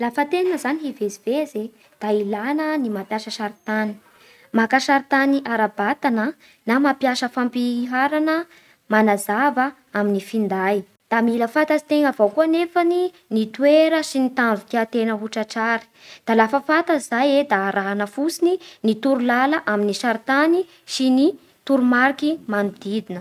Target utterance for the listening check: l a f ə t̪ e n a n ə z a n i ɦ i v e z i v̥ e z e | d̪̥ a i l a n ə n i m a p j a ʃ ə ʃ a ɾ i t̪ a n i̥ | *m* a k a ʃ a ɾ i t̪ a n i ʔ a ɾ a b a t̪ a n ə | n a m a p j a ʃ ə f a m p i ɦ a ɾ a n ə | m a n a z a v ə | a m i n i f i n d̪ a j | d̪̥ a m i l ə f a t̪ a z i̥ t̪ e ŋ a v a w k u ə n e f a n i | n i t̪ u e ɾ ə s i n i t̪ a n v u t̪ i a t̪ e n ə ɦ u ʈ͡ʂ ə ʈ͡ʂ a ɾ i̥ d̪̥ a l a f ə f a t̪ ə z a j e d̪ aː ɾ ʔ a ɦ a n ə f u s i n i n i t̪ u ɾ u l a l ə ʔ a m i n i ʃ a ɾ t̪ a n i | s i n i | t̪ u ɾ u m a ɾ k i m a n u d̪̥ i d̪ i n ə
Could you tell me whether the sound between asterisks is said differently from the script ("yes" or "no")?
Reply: no